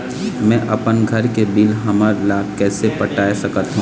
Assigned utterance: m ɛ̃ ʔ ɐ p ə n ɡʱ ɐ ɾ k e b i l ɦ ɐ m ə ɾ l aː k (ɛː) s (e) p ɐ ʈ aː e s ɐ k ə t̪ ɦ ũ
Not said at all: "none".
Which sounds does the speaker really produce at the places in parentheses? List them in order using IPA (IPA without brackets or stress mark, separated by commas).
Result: ɛː, e